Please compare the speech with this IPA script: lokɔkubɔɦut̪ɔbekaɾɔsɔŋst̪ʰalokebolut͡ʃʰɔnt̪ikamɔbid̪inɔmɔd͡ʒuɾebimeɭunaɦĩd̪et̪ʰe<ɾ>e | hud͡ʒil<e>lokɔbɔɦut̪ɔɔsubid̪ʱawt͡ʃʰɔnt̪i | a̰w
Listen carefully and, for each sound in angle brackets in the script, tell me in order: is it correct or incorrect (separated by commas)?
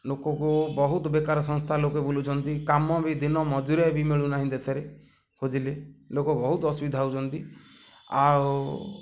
correct, correct